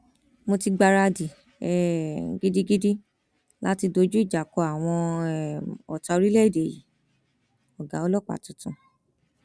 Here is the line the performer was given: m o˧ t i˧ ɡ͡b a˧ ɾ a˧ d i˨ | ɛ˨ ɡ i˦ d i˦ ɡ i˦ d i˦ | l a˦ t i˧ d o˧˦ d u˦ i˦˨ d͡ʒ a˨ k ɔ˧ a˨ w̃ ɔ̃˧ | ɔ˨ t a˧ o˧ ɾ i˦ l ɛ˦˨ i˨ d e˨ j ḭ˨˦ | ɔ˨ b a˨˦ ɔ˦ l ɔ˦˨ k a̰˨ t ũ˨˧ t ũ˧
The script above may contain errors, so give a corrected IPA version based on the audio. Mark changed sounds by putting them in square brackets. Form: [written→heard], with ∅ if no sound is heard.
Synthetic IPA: m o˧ t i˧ ɡ͡b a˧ ɾ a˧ d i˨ | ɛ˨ ɡ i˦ d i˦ ɡ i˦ d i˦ | l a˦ t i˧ d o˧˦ [d→d͡ʒ] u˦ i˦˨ d͡ʒ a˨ k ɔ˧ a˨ w̃ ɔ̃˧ | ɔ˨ t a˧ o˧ ɾ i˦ l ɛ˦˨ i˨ d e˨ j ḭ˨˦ | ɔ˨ [b→ɡ] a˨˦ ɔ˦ l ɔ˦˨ [k→k͡p] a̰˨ t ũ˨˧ t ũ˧

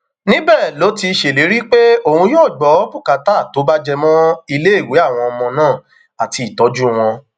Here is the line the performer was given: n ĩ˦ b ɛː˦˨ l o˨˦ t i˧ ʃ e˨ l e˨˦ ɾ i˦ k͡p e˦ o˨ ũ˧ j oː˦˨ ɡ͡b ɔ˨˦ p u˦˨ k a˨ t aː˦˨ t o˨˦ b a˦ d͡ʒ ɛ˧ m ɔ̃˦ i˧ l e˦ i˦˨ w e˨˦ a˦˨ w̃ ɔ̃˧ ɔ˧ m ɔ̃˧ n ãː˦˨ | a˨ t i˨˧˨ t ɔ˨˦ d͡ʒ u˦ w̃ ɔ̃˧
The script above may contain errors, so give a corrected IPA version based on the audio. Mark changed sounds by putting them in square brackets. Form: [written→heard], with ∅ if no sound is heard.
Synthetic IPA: n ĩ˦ b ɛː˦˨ l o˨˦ t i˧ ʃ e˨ l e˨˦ ɾ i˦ k͡p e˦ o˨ ũ˧ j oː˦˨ ɡ͡b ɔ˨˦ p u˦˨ k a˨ t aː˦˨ t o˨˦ b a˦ d͡ʒ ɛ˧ m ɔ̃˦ i˧ l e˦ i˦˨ w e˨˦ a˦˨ w̃ ɔ̃˧ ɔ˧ m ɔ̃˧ n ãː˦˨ | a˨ t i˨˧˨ t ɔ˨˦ d͡ʒ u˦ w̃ ɔ̃˧

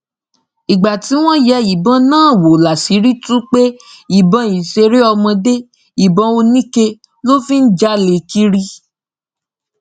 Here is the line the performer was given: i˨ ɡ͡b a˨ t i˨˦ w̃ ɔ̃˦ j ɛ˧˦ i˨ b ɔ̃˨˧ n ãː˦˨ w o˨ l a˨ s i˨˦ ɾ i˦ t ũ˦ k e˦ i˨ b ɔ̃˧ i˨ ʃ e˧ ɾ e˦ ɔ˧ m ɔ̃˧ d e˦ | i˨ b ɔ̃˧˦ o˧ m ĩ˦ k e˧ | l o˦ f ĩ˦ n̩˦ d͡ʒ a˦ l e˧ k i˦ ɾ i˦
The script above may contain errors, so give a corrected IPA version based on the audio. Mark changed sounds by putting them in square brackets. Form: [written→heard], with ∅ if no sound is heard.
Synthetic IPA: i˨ ɡ͡b a˨ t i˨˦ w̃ ɔ̃˦ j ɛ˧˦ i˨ b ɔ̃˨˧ n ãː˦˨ w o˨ l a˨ s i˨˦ ɾ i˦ t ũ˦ [k→k͡p] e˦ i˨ b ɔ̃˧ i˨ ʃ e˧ ɾ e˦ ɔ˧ m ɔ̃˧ d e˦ | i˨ b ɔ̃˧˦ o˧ [m→n] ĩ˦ k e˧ | l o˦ f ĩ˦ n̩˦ d͡ʒ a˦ l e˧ k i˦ ɾ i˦

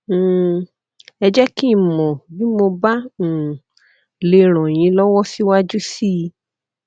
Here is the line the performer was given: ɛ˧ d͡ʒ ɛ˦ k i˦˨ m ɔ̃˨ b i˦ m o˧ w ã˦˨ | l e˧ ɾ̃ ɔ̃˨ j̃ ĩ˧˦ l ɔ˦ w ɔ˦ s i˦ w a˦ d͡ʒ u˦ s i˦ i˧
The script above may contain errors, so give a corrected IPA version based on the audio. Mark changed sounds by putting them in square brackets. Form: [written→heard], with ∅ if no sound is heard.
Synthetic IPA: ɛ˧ d͡ʒ ɛ˦ k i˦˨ m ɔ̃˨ b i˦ m o˧ [w→b] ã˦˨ | l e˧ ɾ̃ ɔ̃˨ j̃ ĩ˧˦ l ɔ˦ w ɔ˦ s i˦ w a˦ d͡ʒ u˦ s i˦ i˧

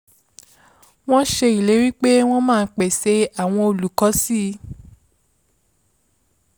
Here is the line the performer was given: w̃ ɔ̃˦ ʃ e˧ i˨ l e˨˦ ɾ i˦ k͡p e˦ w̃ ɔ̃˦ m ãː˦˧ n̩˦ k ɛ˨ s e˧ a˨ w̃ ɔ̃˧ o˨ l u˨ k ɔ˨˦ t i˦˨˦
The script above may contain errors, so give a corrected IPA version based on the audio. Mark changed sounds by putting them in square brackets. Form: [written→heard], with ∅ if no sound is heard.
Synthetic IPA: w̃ ɔ̃˦ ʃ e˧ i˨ l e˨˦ ɾ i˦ k͡p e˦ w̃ ɔ̃˦ m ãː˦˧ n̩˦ [k→k͡p] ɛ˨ s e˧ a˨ w̃ ɔ̃˧ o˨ l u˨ k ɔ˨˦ [t→s] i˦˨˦

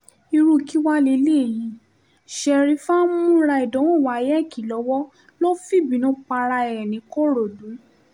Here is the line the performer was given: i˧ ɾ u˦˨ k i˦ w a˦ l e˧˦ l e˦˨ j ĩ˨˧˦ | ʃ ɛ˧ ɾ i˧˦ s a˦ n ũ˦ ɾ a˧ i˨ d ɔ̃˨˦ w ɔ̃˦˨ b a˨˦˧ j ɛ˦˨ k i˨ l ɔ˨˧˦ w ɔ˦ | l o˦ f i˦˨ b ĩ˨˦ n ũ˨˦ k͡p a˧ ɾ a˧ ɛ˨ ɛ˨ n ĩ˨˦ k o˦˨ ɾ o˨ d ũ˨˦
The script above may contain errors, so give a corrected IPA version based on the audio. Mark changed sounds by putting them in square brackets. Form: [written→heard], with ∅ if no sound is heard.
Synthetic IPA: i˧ ɾ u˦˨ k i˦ w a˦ l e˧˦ l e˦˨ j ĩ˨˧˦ | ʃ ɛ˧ ɾ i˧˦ [s→f] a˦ [n→m] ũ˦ ɾ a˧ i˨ d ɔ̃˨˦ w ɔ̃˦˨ [b→w] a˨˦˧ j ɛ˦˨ k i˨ l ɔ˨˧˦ w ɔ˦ | l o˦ f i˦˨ b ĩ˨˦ n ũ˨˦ k͡p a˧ ɾ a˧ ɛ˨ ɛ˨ n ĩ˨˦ k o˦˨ ɾ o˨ d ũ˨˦

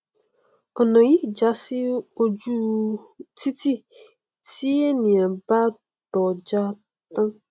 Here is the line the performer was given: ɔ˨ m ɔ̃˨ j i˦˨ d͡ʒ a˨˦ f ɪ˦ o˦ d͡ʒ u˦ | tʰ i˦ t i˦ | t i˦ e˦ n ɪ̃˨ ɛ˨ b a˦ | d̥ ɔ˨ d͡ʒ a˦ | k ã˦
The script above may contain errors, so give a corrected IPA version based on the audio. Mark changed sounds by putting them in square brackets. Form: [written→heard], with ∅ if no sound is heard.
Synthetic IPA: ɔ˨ [m→n] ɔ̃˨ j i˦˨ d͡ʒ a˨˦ [f→s] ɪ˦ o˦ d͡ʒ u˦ | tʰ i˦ t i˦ | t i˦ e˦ n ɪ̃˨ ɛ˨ b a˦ | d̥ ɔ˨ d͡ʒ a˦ | [k→t] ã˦

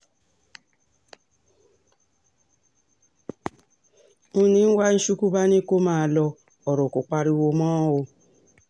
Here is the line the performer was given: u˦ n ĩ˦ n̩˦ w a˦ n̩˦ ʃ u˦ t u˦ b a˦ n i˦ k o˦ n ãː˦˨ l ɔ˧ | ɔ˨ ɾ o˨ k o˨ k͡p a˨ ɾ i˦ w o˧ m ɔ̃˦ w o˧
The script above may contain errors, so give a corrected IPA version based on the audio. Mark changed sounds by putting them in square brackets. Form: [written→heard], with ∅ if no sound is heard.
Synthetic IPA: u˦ n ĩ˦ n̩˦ w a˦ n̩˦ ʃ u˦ [t→k] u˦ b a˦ n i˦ k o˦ [n→m] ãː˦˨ l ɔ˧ | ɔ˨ ɾ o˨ k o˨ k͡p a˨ ɾ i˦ w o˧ m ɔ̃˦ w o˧

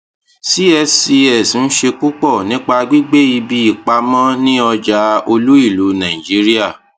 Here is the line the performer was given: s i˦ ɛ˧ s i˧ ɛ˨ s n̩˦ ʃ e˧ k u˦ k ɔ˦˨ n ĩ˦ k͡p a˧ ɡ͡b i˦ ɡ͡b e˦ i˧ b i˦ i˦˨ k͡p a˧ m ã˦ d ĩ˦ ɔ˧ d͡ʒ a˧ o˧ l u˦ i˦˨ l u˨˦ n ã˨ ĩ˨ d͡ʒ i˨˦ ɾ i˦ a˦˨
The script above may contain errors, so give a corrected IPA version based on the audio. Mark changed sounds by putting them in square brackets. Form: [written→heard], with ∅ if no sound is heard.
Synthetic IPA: s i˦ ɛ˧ s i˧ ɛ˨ s n̩˦ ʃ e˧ k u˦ [k→k͡p] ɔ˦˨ n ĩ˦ k͡p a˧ ɡ͡b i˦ ɡ͡b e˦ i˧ b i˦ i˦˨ k͡p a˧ m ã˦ [d→n] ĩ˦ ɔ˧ d͡ʒ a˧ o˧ l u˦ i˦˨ l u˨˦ n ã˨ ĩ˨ d͡ʒ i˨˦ ɾ i˦ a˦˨

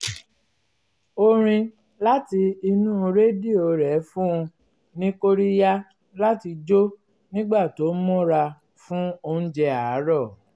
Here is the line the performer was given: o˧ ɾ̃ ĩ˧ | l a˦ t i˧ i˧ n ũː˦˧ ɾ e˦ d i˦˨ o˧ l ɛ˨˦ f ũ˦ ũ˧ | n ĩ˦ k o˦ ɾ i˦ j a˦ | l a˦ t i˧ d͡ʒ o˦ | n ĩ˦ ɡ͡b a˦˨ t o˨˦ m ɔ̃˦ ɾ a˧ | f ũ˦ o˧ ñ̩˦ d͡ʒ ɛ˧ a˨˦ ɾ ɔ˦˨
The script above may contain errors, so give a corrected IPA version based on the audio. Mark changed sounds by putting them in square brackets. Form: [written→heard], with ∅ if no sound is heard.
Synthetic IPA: o˧ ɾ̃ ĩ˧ | l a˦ t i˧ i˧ n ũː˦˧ ɾ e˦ d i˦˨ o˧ [l→ɾ] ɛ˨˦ f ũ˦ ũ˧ | n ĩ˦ k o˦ ɾ i˦ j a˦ | l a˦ t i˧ d͡ʒ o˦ | n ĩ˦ ɡ͡b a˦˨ t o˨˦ m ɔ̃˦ ɾ a˧ | f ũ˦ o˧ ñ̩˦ d͡ʒ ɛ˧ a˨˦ ɾ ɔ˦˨

